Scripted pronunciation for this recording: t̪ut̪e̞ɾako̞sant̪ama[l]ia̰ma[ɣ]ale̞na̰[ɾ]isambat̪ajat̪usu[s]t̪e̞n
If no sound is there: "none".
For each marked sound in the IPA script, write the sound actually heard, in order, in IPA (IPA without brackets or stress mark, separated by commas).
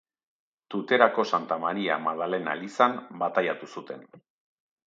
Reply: ɾ, ð, l, none